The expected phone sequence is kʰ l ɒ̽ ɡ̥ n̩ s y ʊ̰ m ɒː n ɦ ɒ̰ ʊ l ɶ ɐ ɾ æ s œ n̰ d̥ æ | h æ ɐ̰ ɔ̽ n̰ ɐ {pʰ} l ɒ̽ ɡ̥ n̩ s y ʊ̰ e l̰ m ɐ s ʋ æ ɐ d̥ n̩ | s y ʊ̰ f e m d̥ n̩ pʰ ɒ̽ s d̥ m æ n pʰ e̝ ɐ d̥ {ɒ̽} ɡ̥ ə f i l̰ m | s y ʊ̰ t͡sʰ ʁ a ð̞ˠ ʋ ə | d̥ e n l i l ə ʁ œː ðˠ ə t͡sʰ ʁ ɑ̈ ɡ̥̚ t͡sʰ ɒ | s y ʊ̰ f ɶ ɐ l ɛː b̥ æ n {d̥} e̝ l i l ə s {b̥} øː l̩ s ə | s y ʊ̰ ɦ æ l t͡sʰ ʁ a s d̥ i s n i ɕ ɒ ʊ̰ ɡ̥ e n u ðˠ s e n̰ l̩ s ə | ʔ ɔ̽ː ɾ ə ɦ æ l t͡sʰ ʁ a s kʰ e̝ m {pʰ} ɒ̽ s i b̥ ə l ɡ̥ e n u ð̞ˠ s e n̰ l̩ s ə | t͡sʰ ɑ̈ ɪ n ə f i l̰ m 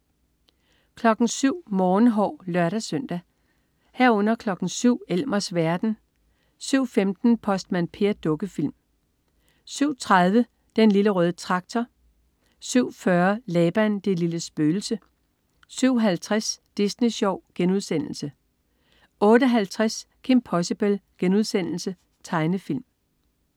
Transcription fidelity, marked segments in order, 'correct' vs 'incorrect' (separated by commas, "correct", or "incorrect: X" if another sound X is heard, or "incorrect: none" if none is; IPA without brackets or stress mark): incorrect: kʰ, incorrect: ɔ̽, correct, correct, correct